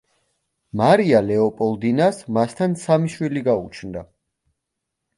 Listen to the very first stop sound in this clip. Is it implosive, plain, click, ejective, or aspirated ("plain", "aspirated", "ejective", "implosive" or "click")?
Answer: ejective